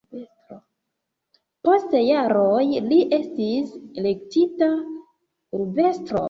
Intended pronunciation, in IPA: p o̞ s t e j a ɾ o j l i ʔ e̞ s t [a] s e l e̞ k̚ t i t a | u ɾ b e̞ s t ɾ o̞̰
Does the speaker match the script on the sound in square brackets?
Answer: no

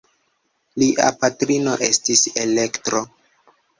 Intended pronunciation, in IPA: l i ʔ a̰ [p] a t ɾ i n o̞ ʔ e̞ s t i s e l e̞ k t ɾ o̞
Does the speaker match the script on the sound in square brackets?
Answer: yes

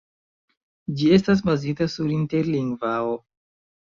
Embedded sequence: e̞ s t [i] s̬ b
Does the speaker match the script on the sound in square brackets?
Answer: no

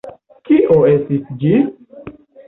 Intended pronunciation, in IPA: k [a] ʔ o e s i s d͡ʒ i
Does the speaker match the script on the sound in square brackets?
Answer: no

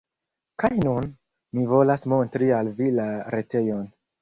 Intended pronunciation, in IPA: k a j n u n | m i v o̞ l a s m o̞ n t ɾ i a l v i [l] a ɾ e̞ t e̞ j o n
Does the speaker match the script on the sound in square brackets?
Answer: yes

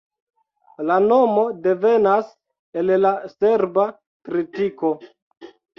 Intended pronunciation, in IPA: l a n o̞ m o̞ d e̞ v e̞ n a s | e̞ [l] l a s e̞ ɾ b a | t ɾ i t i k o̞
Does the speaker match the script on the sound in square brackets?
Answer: yes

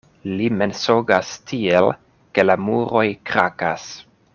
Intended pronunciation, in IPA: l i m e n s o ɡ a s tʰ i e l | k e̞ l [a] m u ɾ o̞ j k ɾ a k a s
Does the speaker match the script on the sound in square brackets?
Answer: yes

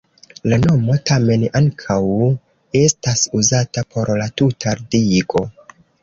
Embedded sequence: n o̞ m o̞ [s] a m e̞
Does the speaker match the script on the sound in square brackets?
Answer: no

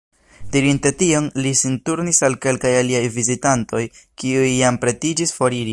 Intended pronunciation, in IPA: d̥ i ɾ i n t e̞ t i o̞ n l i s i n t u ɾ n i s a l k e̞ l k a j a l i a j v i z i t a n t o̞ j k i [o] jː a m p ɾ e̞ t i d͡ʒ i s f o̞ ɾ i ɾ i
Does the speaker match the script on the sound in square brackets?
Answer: no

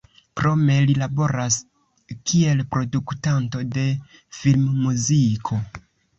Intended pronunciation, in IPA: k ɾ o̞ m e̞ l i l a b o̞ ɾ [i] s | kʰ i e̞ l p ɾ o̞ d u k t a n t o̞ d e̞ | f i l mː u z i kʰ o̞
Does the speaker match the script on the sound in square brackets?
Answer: no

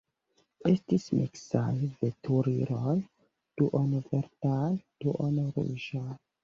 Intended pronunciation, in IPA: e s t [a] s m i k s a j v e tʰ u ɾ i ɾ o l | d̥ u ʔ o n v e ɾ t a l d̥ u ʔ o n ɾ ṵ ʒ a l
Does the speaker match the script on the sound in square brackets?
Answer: no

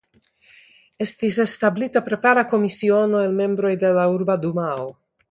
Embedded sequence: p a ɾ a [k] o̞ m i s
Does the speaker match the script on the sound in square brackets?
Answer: yes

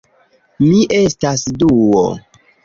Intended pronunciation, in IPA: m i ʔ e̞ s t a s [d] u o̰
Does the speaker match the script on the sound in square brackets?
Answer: yes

